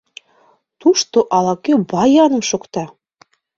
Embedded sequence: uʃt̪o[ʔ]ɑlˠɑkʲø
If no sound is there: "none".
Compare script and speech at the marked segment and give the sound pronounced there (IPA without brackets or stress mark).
ʔ